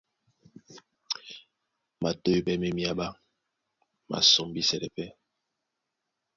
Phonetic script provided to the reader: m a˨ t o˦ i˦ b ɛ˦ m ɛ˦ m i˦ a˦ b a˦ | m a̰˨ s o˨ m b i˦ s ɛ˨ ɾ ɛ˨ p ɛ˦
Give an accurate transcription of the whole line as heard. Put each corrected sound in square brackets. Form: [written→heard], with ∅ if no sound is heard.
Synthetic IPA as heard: m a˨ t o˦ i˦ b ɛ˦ m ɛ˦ m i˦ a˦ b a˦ | m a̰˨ s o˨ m b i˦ s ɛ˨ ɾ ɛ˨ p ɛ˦

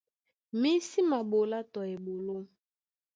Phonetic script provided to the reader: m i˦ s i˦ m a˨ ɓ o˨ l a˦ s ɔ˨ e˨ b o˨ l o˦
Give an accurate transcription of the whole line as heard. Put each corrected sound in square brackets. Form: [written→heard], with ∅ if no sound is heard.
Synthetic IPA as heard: m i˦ s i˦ m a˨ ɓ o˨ l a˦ [s→t] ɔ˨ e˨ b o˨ l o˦

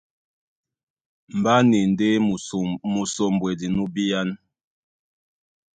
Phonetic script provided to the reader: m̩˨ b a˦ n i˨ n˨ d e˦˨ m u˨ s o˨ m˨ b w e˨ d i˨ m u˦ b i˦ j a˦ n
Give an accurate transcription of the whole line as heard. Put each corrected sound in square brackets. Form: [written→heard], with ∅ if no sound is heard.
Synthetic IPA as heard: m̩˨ b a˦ n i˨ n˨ d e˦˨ m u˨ s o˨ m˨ b w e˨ d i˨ [m→n] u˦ b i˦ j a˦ n

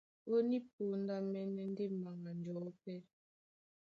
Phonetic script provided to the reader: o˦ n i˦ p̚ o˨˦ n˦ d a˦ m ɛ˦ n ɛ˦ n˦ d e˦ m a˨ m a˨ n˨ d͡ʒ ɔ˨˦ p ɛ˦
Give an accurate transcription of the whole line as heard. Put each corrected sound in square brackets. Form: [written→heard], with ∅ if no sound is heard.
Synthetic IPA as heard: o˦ n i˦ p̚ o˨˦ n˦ d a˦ m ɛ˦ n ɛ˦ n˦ d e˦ m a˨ [m→ŋ] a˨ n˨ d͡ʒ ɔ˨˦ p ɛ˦

